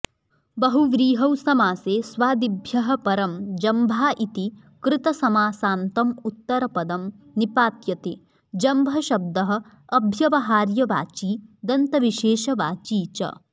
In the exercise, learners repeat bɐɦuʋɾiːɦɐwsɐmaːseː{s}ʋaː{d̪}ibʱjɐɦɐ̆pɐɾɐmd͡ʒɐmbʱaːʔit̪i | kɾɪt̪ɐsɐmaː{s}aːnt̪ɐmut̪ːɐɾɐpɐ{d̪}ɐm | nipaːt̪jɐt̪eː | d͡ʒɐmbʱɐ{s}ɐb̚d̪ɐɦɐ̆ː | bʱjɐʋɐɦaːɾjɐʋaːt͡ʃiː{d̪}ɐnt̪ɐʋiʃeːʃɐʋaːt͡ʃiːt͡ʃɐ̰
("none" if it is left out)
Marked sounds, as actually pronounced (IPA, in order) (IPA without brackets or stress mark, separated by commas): s, d̪, s, d̪, ʃ, d̪